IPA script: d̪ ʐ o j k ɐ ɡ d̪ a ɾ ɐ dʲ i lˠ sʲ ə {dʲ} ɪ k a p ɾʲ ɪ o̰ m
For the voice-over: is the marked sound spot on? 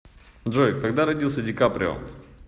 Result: yes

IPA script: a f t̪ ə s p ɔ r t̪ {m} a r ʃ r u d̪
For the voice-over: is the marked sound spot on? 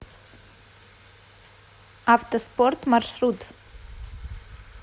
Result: yes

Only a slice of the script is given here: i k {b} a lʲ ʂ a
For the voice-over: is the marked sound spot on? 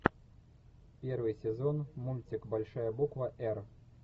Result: yes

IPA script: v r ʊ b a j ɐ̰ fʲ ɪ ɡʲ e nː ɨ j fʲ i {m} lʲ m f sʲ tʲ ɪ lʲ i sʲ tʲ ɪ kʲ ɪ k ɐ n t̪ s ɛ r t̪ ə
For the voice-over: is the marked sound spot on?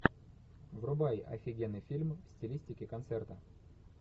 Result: no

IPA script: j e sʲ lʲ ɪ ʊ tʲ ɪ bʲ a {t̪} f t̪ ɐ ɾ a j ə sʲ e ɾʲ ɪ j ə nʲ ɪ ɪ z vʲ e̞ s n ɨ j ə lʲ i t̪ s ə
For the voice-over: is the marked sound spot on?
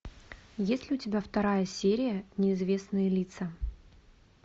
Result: no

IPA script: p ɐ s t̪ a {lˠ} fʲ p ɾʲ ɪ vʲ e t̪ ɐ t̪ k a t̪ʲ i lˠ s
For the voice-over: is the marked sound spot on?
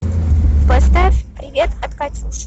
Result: no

